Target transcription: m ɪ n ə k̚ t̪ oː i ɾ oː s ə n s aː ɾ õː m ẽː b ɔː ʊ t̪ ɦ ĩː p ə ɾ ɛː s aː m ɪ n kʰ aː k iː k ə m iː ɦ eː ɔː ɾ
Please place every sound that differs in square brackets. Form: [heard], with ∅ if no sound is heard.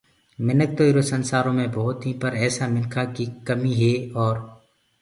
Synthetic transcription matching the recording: m ɪ n ə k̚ t̪ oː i ɾ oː s ə n s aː ɾ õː m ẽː b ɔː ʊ t̪ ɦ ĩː p ə ɾ ɛː s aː m ɪ n kʰ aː k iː k ə m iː ɦ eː ɔː ɾ